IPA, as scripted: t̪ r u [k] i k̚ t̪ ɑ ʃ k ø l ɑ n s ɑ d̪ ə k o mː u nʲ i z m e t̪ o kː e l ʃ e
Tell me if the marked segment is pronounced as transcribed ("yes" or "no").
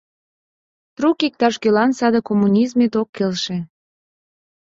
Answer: yes